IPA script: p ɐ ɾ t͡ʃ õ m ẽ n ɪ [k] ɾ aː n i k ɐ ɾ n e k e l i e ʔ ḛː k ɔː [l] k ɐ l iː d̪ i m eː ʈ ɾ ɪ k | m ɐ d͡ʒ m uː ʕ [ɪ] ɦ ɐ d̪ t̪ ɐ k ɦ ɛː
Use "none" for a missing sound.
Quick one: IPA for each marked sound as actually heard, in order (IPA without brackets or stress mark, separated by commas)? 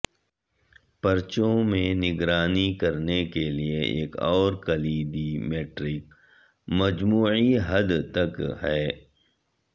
ɡ, ɾ, i